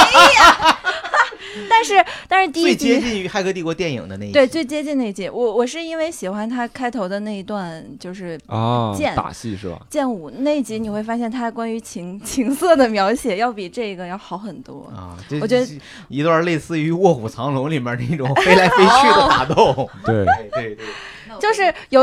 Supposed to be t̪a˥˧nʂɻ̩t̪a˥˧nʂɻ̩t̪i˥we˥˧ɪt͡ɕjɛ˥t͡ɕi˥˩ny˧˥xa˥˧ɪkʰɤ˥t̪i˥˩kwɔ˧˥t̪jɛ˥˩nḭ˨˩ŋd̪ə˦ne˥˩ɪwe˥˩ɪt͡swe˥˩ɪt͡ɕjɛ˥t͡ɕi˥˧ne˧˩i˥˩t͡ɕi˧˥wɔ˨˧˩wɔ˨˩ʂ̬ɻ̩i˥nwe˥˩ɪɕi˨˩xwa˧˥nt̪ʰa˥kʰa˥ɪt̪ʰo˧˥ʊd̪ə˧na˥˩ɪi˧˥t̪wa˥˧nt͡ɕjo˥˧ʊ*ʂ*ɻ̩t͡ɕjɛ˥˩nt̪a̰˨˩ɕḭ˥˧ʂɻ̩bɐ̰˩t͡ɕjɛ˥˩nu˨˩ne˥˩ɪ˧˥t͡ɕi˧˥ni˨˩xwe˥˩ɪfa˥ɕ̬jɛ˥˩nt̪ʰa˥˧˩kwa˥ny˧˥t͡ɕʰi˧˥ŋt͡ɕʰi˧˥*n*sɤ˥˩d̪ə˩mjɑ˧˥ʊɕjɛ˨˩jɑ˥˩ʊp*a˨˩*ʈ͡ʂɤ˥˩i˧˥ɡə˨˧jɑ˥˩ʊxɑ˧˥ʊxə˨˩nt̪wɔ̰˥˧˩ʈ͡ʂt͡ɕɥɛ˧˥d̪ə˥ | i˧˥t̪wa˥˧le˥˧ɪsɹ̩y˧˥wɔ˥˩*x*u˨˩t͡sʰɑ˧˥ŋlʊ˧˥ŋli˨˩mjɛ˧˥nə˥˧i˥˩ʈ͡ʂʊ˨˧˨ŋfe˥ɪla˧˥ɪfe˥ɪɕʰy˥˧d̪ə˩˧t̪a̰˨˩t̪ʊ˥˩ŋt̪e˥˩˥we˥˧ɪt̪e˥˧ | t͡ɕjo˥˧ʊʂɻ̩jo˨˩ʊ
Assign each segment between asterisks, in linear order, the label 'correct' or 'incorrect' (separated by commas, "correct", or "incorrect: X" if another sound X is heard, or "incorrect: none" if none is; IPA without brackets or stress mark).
correct, incorrect: ŋ, incorrect: i˨˩, correct